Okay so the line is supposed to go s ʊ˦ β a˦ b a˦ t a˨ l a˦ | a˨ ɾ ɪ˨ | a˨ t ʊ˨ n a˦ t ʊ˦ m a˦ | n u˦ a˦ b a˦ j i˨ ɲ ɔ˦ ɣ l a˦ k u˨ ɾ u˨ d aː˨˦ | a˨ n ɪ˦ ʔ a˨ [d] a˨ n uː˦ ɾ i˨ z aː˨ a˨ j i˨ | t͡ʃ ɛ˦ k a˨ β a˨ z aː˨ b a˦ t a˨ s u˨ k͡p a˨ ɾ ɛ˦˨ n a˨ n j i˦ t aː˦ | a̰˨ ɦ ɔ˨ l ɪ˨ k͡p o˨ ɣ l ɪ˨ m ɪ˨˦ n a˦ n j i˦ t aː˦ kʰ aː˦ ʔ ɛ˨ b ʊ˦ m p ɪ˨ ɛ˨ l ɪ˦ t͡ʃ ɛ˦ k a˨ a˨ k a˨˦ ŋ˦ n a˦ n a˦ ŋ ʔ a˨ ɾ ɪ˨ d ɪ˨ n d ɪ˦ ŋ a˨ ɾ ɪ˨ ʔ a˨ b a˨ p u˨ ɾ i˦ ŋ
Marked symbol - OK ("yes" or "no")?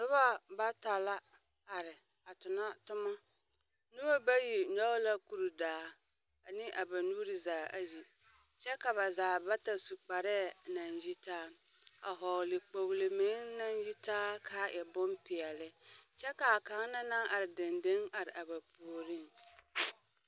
no